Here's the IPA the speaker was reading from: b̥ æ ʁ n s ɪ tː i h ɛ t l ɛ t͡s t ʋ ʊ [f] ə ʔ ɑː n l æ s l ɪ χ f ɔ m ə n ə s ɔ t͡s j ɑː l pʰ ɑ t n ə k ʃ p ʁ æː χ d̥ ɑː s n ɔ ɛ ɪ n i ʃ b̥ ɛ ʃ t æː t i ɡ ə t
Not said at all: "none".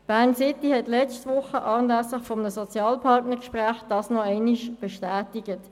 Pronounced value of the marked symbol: χ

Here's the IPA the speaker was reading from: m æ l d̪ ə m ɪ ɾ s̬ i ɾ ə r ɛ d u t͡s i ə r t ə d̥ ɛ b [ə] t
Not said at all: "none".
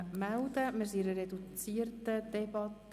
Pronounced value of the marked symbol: ɑ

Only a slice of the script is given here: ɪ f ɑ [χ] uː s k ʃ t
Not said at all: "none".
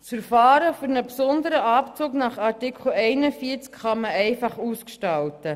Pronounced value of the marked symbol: χ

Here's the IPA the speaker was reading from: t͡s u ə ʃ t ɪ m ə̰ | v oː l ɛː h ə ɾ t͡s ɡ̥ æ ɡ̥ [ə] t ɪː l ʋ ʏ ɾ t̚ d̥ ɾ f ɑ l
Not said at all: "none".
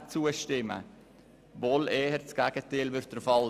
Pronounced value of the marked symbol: ə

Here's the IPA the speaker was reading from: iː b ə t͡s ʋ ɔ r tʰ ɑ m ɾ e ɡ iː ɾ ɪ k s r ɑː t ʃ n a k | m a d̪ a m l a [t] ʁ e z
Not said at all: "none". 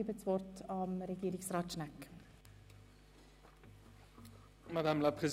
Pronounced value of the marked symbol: p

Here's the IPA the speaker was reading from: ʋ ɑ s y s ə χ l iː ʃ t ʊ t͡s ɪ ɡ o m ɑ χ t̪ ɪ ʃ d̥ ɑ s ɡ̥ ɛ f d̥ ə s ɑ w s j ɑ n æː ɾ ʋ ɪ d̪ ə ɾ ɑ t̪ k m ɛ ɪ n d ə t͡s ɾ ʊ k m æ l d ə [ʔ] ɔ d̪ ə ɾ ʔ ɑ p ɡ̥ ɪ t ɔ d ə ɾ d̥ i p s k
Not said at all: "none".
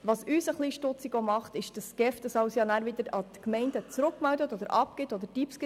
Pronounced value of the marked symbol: t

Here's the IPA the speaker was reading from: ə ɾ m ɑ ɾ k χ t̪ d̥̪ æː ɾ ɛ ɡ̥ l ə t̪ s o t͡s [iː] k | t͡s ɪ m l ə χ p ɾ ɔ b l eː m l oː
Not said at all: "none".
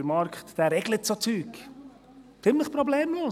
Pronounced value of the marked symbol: yː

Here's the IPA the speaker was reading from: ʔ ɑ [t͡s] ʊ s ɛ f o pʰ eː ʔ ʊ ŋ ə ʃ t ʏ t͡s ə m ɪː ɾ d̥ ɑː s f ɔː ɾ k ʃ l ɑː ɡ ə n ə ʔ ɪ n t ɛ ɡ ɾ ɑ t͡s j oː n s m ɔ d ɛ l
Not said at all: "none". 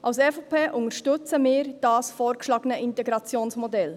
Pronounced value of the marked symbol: none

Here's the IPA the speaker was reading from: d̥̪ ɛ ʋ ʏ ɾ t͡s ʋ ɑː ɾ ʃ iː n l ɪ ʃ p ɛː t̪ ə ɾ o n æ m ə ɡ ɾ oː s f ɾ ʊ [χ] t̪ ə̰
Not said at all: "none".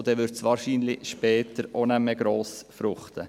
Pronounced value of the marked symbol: χ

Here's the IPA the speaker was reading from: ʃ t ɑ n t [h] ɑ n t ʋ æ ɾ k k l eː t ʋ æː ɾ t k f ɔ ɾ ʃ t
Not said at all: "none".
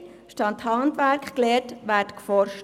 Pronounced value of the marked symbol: h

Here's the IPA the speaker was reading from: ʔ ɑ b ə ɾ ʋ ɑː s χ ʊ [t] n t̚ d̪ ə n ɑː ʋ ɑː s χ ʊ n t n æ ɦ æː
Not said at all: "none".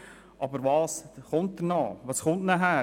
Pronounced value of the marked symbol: none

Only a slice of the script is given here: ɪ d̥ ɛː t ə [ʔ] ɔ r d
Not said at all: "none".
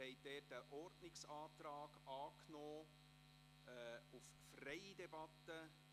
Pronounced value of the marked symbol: ʔ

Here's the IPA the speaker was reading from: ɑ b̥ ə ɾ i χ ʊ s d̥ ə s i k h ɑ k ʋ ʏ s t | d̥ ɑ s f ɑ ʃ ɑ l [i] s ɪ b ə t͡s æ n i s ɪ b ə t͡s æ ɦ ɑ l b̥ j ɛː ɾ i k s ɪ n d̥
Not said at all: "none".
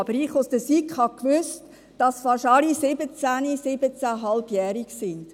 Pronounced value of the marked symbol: i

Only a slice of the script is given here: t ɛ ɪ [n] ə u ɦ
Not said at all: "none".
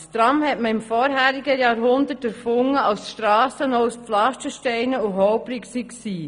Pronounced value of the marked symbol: n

